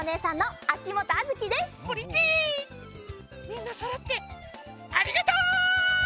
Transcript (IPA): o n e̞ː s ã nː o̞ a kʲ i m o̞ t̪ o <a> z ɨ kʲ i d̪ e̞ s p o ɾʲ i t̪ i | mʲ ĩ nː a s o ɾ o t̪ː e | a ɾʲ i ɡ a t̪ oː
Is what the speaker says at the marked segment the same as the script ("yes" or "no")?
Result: yes